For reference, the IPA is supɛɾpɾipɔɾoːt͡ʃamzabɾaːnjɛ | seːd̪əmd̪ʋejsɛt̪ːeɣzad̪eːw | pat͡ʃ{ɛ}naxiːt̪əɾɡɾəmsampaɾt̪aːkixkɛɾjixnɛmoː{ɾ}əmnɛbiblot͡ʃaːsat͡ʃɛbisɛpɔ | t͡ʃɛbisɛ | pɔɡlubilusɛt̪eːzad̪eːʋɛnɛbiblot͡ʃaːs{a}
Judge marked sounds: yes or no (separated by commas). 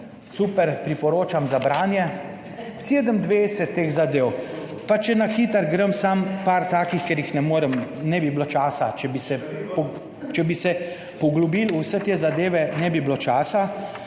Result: yes, yes, yes